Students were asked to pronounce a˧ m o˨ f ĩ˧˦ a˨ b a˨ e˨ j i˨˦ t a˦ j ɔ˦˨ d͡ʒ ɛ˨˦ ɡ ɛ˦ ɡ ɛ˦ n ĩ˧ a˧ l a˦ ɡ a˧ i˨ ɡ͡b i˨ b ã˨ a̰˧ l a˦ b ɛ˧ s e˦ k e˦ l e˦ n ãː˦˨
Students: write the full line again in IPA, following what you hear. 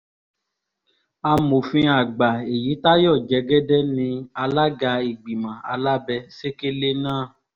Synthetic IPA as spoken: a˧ m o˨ f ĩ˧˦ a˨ ɡ͡b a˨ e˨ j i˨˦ t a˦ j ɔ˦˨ d͡ʒ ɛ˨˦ ɡ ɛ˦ d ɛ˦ n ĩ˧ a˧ l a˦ ɡ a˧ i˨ ɡ͡b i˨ m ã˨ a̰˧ l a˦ b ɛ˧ s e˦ k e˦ l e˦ n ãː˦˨